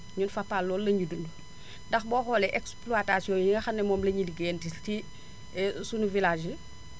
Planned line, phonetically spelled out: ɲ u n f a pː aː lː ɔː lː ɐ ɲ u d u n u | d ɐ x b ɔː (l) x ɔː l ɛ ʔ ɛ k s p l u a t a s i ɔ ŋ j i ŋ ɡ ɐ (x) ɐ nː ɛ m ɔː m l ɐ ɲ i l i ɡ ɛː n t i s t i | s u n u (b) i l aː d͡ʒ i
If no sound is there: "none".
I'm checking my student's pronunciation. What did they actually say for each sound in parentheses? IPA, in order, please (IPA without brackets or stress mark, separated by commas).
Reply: none, x, v